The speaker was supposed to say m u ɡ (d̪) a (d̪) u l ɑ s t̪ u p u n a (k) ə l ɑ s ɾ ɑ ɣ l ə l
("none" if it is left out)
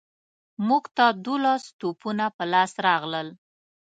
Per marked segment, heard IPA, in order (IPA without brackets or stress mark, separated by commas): t̪, d̪, p